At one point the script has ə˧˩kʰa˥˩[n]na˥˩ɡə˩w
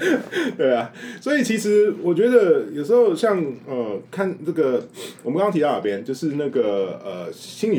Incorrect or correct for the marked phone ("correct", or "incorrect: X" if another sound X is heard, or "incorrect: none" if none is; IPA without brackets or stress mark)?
correct